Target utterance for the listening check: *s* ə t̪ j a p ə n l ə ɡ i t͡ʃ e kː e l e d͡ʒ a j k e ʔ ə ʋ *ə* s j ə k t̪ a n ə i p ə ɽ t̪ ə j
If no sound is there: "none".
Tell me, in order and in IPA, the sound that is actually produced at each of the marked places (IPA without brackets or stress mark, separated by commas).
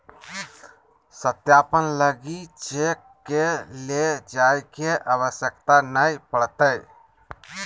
s, ə